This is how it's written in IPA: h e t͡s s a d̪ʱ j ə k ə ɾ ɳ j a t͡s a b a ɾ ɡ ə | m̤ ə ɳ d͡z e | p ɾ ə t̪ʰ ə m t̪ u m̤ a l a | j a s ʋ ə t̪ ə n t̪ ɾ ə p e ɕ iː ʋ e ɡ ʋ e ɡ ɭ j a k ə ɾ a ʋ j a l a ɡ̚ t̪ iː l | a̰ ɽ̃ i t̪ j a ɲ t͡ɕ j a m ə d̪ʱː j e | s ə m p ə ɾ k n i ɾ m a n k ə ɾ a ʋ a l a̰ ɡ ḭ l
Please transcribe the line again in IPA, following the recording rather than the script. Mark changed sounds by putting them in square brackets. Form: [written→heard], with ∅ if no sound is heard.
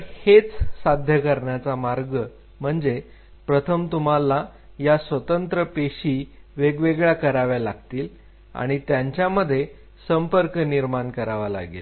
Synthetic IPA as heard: h e t͡s s a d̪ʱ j ə k ə ɾ ɳ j a t͡s a [b→m] a ɾ ɡ ə | m̤ ə ɳ d͡z e | p ɾ ə t̪ʰ ə m t̪ u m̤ a l a | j a s ʋ ə t̪ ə n t̪ ɾ ə p e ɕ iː ʋ e ɡ ʋ e ɡ ɭ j a k ə ɾ a ʋ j a l a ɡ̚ t̪ iː l | a̰ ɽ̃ i t̪ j a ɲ t͡ɕ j a m ə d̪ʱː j e | s ə m p ə ɾ k n i ɾ m a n k ə ɾ a ʋ a l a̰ ɡ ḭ l